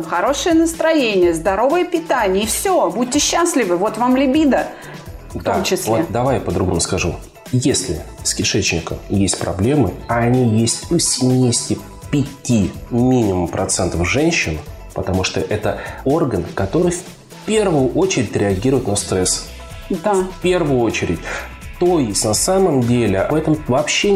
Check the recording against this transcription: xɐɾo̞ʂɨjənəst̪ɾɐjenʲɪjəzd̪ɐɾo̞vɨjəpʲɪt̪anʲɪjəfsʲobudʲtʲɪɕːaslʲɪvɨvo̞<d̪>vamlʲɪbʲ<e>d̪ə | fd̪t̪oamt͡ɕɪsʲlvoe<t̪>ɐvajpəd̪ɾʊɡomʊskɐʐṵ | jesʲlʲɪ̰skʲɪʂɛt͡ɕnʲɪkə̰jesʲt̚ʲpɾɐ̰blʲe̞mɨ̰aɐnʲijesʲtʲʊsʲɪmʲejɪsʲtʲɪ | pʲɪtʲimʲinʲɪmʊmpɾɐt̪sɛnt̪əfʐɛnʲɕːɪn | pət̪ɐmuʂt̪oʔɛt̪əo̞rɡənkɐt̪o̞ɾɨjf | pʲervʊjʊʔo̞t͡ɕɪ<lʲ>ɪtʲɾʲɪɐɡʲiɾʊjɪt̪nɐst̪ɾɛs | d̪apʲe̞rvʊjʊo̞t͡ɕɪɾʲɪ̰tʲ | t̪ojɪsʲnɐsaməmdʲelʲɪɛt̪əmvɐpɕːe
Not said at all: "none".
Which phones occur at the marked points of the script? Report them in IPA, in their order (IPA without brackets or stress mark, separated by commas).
t̪, i, d̪, ɾʲ